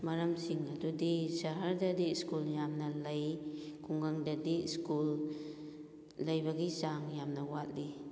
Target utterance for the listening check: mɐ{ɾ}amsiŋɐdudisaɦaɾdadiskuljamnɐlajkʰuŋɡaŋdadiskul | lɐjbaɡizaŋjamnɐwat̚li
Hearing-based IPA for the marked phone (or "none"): ɾ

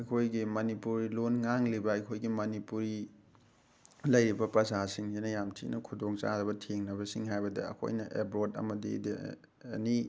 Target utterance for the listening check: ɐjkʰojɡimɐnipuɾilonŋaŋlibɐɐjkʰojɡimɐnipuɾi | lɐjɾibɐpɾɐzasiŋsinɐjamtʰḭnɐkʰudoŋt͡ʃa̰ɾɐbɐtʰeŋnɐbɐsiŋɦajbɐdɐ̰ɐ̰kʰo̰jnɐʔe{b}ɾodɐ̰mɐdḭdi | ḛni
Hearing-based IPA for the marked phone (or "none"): b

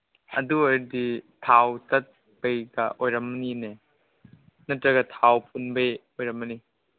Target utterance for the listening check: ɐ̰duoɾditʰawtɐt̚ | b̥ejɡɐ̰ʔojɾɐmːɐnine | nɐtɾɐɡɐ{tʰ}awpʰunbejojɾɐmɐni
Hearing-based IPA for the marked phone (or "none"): tʰ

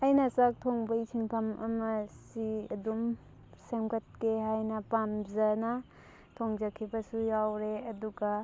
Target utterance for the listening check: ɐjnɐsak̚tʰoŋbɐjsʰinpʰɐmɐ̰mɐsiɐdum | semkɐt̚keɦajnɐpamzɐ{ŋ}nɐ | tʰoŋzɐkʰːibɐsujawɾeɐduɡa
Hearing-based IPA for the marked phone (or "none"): none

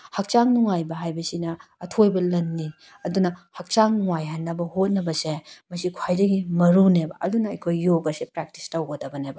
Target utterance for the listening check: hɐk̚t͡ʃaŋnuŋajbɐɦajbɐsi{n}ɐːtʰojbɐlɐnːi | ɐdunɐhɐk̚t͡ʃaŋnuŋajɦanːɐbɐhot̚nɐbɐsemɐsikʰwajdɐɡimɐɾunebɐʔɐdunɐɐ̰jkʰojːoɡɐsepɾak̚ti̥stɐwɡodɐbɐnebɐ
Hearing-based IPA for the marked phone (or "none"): n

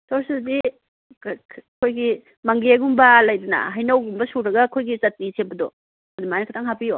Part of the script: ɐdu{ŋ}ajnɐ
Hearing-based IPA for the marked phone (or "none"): m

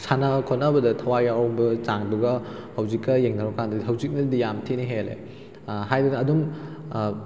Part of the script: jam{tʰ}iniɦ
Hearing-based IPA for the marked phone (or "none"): tʰ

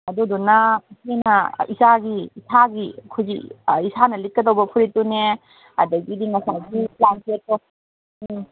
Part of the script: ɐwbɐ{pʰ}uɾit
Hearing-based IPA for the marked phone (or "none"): pʰ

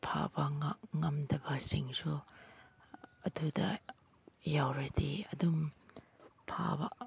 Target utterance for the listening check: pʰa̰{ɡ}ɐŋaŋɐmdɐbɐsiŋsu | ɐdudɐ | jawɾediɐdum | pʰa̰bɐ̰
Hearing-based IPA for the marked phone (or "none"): b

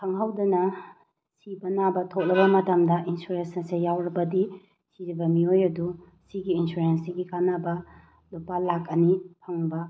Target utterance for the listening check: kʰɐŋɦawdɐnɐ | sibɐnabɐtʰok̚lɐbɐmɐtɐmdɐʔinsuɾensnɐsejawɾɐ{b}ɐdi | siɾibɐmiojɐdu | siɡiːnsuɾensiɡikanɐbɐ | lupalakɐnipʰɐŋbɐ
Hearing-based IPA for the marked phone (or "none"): b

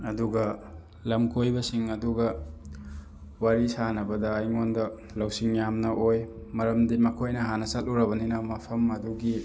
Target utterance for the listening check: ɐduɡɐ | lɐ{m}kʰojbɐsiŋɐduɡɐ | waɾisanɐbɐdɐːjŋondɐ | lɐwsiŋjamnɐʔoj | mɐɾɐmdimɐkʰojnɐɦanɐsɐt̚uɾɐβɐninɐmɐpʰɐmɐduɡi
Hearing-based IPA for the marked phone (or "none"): m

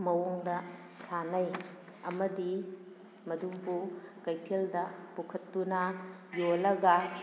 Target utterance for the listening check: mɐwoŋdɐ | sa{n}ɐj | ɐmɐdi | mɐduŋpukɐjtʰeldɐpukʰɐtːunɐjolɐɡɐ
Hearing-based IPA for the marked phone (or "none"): n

